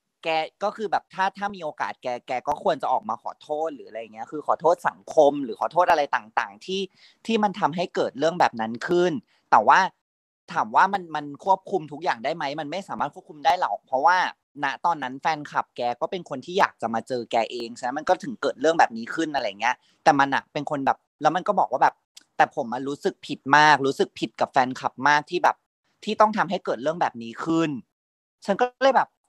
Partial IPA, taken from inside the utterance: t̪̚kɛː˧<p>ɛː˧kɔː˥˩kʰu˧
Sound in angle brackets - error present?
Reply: yes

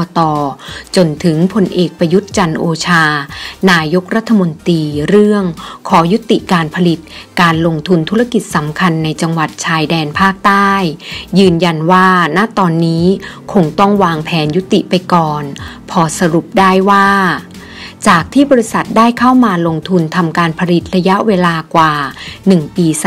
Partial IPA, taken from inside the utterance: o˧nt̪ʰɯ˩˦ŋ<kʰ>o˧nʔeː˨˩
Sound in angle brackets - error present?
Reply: yes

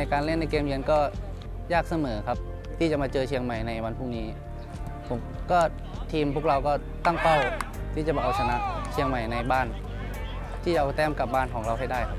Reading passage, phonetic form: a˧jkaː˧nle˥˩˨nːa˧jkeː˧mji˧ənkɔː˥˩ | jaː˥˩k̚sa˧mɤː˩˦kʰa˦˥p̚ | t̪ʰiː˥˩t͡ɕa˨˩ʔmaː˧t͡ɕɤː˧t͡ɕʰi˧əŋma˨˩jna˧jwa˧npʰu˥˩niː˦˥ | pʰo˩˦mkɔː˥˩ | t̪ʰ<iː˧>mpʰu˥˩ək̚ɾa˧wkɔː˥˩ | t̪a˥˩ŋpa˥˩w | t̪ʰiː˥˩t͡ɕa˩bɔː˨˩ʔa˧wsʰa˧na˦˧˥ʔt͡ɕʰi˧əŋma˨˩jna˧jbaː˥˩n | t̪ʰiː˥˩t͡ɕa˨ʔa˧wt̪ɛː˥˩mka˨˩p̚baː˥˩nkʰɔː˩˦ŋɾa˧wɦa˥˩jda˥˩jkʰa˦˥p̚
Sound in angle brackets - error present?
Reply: no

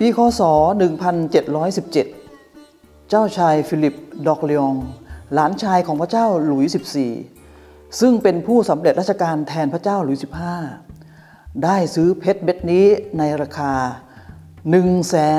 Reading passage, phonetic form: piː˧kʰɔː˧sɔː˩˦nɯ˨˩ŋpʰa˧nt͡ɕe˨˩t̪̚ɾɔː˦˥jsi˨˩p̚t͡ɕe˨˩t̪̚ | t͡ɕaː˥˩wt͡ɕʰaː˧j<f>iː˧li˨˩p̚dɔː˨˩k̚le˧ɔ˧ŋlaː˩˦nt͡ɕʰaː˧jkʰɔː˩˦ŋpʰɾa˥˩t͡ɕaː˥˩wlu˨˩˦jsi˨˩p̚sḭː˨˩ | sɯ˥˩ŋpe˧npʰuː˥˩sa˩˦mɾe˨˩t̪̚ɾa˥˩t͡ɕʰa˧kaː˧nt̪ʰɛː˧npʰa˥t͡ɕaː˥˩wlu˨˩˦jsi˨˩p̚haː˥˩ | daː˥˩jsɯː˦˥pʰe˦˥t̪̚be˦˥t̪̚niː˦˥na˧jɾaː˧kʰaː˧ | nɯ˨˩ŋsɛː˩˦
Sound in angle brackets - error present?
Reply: no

